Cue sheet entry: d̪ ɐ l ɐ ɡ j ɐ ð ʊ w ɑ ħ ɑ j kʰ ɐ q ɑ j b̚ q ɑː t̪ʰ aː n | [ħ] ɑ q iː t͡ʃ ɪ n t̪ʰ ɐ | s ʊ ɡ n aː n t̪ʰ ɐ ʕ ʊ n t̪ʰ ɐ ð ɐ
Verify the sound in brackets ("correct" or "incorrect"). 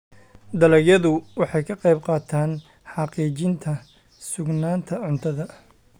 correct